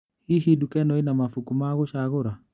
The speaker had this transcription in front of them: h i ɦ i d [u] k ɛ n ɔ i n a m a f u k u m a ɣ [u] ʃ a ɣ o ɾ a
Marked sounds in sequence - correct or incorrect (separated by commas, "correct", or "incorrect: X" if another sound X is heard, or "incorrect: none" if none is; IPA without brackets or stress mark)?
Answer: correct, incorrect: o